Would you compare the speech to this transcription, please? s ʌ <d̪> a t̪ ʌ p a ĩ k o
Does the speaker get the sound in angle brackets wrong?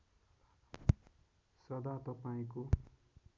no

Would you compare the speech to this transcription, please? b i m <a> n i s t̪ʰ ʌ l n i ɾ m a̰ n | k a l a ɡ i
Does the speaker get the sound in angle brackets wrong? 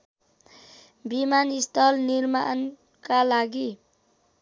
no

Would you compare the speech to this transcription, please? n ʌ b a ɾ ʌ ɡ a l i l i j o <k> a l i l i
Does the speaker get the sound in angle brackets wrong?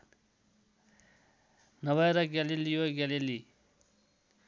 yes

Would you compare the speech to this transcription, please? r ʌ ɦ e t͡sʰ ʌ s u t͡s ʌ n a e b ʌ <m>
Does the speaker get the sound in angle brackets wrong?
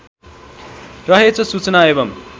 no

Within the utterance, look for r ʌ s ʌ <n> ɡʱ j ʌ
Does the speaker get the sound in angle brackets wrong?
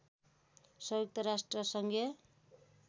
yes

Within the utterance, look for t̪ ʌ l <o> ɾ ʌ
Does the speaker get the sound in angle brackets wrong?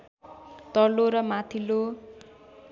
no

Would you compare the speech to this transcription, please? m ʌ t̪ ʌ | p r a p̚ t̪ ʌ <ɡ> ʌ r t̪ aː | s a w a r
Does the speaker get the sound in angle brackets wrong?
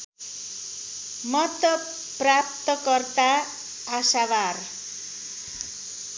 yes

